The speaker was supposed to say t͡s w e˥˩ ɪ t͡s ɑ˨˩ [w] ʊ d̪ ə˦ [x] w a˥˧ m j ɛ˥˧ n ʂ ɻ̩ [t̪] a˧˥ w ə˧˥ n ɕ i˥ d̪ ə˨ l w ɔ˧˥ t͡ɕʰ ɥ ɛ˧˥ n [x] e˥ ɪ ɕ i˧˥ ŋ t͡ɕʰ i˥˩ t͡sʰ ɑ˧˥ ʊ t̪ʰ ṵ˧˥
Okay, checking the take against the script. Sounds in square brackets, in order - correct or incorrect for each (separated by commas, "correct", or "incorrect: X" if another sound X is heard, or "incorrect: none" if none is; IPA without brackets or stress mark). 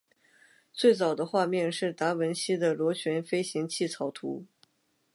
incorrect: none, correct, correct, incorrect: f